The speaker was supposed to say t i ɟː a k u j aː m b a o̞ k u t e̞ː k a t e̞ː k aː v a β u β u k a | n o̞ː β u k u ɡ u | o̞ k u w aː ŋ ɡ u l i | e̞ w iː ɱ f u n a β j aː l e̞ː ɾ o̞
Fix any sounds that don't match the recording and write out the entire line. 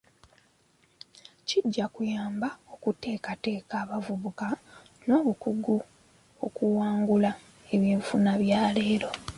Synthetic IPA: c i ɟː a k u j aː m b a o̞ k u t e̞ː k a t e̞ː k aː β a v u β u k a | n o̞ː β u k u ɡ u | o̞ k u w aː ŋ ɡ u l a | e̞ β iː ɱ f u n a β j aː l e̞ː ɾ o̞